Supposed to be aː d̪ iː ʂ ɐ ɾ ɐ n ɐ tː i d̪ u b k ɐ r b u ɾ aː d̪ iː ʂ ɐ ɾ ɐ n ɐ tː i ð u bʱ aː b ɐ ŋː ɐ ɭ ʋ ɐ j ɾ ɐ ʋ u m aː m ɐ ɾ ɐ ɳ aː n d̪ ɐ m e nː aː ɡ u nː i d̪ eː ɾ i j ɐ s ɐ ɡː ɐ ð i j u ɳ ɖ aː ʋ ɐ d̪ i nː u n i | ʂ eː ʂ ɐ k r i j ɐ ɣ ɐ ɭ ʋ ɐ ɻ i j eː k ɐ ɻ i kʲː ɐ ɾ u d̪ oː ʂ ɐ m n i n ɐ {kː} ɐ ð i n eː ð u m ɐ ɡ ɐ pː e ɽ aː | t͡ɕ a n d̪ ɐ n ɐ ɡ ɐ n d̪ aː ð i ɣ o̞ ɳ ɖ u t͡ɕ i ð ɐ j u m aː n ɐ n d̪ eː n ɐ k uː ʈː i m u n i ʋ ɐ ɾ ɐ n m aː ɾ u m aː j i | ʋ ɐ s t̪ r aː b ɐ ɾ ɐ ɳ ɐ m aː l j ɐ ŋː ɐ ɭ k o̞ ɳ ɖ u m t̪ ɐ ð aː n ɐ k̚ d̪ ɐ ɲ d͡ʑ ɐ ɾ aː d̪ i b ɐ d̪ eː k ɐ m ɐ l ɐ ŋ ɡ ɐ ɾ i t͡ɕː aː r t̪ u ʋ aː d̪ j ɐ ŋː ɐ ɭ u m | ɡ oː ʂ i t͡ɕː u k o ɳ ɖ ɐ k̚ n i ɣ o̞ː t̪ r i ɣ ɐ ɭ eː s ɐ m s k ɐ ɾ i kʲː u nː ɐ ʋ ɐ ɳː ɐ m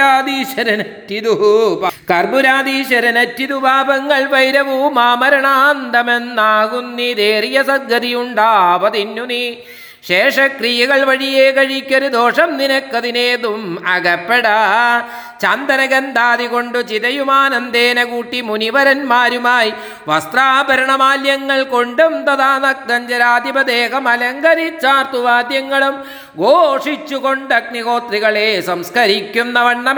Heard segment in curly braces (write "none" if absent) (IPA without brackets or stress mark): kː